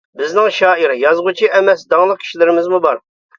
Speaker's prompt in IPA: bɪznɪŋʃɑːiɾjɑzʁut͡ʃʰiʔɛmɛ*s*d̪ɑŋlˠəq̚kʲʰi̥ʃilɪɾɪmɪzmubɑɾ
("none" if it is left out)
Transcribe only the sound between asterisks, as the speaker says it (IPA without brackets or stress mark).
s